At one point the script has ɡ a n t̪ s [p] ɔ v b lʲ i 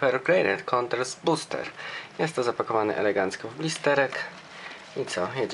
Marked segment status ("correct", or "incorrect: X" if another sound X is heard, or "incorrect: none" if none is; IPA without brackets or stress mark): incorrect: k